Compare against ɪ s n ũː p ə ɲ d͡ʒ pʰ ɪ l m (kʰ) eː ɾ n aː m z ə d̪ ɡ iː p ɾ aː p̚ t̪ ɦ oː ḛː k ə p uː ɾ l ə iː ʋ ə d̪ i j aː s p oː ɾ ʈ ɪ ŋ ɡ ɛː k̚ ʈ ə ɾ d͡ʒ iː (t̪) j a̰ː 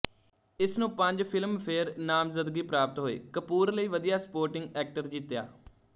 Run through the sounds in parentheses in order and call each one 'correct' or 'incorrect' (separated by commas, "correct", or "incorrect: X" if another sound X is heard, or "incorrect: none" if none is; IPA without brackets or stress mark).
incorrect: pʰ, correct